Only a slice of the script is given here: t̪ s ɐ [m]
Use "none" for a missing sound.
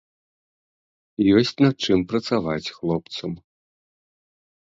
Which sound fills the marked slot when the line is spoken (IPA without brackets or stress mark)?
m